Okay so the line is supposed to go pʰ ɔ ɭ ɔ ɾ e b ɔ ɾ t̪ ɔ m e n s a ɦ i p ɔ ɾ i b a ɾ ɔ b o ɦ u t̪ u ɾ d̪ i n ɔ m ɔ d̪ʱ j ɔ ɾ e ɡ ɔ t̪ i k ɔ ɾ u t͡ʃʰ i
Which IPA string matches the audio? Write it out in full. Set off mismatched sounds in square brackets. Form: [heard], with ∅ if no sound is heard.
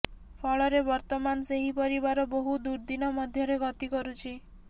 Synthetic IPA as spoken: pʰ ɔ ɭ ɔ ɾ e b ɔ ɾ t̪ ɔ m [a] n s [e] ɦ i p ɔ ɾ i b a ɾ ɔ b o ɦ u [d̪] u ɾ d̪ i n ɔ m ɔ d̪ʱ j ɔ ɾ e ɡ ɔ t̪ i k ɔ ɾ u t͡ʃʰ i